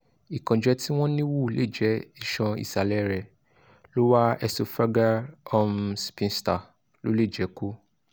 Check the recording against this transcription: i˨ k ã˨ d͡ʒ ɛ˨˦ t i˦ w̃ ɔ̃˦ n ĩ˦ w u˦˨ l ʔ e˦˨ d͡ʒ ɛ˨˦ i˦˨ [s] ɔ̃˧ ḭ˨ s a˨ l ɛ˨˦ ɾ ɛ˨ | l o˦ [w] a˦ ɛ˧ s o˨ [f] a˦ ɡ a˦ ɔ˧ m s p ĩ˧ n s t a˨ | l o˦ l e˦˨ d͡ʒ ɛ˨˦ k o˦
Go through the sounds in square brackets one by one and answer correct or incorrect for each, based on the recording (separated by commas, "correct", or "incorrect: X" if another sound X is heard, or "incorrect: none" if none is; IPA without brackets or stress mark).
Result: incorrect: ʃ, correct, correct